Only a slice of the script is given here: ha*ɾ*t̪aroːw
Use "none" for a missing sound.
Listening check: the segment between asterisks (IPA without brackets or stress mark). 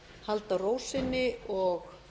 l